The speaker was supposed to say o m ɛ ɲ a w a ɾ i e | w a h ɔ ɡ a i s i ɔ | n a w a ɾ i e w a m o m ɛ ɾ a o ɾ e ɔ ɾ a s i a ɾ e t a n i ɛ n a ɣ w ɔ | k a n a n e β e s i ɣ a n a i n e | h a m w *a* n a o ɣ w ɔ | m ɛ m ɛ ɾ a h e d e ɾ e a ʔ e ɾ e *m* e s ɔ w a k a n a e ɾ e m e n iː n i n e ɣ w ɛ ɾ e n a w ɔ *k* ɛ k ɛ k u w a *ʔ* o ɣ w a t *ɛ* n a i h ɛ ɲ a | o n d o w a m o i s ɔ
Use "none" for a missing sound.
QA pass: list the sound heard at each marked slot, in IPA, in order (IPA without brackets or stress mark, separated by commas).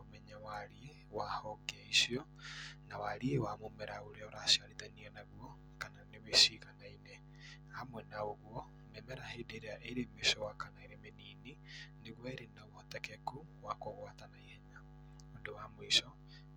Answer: ɛ, m, t, k, a